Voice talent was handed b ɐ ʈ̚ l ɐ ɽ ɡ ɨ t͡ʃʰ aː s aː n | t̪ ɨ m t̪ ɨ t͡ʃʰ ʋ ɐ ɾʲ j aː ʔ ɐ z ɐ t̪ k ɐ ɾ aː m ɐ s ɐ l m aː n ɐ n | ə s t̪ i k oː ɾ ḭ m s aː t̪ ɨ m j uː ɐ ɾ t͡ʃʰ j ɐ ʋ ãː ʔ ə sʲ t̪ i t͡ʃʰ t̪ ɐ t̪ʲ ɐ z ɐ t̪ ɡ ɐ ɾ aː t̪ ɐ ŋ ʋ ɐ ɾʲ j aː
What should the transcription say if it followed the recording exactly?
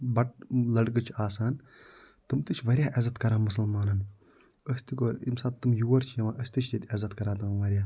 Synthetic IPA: b ɐ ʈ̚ l ɐ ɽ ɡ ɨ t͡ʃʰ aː s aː n | t̪ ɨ m t̪ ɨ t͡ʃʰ ʋ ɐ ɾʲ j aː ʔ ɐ z ɐ t̪ k ɐ ɾ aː m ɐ s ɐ l m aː n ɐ n | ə s t̪ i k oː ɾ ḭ m s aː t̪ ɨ m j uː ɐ ɾ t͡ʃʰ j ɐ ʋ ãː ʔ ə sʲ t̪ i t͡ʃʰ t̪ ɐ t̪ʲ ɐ z ɐ t̪ k ɐ ɾ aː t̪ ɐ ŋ ʋ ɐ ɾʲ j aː

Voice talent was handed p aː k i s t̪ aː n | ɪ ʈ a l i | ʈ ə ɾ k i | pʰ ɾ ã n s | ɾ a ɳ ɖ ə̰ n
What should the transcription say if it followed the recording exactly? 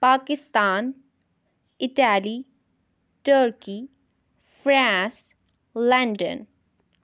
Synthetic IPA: p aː k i s t̪ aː n | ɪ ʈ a l i | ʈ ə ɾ k i | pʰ ɾ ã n s | l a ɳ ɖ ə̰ n

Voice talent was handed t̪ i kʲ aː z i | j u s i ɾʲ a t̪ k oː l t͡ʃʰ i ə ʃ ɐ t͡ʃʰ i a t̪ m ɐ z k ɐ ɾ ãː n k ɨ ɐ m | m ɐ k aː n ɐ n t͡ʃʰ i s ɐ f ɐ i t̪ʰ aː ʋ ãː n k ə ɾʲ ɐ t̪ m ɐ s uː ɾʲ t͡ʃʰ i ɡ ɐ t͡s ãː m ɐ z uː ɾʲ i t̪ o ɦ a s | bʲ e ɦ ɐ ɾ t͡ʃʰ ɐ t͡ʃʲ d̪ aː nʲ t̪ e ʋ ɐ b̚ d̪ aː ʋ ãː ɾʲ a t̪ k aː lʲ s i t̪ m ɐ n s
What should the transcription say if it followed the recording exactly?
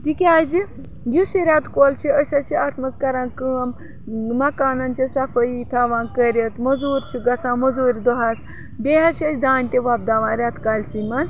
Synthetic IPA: t̪ i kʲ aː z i | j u s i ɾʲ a t̪ k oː l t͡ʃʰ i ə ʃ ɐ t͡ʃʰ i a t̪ m ɐ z k ɐ ɾ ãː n k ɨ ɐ m | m ɐ k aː n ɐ n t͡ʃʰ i s ɐ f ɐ i t̪ʰ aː ʋ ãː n k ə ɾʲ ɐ t̪ m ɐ z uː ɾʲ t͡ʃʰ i ɡ ɐ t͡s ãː m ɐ z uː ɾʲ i d̪ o ɦ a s | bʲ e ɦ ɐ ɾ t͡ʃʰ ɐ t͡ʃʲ d̪ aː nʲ t̪ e ʋ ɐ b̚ d̪ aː ʋ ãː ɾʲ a t̪ k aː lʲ s i m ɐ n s

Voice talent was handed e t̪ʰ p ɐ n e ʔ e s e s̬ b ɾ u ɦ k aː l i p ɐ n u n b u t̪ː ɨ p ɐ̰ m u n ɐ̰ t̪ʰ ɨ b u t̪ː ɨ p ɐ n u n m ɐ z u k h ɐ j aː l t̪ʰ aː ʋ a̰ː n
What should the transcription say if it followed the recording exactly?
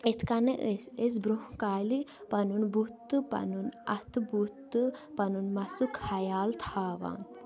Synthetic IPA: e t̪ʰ k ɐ n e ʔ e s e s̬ b ɾ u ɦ k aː l i p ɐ n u n b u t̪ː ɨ p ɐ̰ n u n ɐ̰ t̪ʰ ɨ b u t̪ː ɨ p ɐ n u n m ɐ s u k h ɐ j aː l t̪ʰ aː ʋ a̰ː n

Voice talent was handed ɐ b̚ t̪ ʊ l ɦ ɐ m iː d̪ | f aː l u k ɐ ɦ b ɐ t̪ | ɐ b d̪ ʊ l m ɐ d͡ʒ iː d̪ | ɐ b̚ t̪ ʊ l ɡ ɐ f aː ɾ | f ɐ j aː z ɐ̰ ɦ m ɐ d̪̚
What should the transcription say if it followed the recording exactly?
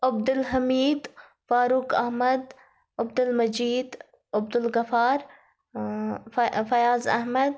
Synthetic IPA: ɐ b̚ d̪ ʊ l ɦ ɐ m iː d̪ | f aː ɾ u k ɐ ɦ m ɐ d̪ | ɐ b d̪ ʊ l m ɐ d͡ʒ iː d̪ | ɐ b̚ d̪ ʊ l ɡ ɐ f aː ɾ | f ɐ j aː z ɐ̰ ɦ m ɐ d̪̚

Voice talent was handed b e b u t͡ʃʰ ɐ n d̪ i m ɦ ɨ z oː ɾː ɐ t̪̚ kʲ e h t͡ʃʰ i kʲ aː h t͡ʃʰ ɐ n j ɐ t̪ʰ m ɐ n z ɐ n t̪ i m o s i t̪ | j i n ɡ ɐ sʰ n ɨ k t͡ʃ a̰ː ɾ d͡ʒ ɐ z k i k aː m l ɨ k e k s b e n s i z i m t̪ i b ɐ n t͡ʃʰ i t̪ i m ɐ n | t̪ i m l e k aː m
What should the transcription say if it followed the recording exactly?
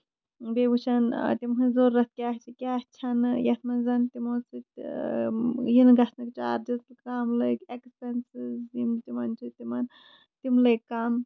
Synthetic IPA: b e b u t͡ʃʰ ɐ n t̪ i m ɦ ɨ z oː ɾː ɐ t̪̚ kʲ a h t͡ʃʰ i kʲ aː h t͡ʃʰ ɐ n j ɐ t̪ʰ m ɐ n z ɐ n t̪ i m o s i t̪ | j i n ɡ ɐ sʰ n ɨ k t͡ʃ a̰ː ɾ d͡ʒ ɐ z k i k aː m l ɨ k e k s p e n s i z i m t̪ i m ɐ n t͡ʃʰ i t̪ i m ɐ n | t̪ i m l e k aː m

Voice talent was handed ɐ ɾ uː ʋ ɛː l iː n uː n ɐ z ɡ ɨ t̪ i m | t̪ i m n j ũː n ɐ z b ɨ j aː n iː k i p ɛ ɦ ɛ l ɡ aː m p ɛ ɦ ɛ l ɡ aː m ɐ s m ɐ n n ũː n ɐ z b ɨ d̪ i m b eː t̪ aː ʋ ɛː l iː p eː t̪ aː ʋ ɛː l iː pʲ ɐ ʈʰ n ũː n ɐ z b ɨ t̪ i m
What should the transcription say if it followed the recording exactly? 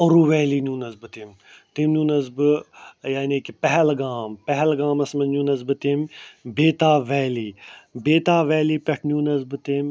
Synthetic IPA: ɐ ɾ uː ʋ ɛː l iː n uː n ɐ z b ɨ t̪ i m | t̪ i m n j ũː n ɐ z b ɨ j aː n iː k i p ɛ ɦ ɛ l ɡ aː m p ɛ ɦ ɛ l ɡ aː m ɐ s m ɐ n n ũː n ɐ z b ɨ t̪ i m b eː t̪ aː ʋ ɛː l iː b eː t̪ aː ʋ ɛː l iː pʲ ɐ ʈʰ n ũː n ɐ z b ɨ t̪ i m

